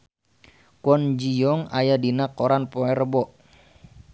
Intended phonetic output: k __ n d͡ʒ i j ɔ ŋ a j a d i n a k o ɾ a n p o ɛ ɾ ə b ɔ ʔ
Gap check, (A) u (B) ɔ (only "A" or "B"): B